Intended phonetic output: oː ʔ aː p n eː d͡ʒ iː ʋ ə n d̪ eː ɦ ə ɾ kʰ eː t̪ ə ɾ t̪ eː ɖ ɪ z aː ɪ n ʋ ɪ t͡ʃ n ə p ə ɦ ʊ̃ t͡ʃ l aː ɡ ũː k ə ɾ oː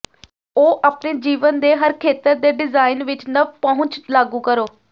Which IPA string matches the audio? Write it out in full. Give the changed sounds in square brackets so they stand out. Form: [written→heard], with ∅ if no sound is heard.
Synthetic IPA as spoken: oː ʔ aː p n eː d͡ʒ iː ʋ ə n d̪ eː ɦ ə ɾ kʰ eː t̪ ə ɾ [t̪→d̪] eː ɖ ɪ z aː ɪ n ʋ ɪ t͡ʃ n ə p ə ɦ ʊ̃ t͡ʃ l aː ɡ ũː k ə ɾ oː